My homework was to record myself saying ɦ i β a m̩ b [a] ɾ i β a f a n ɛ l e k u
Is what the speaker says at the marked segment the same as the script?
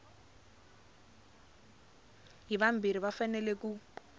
no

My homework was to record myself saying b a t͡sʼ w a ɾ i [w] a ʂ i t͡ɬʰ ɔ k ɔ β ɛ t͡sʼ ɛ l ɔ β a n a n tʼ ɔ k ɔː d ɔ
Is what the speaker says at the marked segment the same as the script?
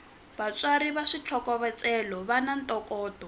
no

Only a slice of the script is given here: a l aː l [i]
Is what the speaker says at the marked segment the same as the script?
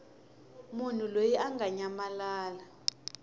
no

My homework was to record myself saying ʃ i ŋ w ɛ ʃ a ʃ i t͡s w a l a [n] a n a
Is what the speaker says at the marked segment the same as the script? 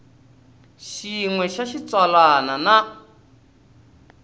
yes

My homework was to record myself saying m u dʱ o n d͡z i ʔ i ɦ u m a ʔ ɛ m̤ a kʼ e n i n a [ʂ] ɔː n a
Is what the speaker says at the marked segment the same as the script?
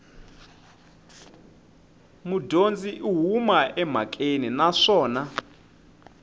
yes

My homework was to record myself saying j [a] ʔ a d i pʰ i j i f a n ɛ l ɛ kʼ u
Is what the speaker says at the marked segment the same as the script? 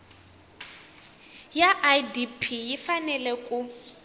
yes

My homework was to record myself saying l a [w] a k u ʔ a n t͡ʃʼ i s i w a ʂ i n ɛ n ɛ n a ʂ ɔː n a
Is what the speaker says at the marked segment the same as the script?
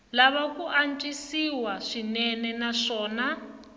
no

